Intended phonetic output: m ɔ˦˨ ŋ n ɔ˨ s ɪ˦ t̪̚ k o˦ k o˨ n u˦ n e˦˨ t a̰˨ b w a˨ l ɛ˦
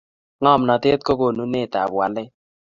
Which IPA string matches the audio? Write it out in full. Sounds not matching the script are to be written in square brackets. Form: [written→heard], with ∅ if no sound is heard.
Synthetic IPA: [m→ŋ] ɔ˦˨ [ŋ→m] n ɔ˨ [s→t] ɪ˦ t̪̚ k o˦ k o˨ n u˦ n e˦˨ t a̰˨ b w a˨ l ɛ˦